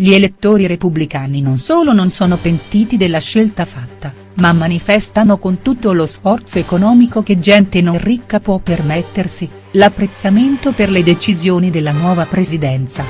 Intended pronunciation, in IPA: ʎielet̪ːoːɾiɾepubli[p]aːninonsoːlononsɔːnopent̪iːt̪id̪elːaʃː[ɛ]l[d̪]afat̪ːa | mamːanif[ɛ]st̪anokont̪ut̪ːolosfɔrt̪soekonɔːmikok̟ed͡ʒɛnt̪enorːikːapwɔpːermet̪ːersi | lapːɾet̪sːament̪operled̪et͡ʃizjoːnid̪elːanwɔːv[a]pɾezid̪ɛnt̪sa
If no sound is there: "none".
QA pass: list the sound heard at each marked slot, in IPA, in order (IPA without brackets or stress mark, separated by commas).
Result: k, e, t̪, ɛ, a